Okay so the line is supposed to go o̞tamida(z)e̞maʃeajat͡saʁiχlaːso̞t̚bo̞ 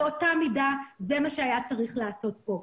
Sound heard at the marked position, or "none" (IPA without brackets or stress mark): z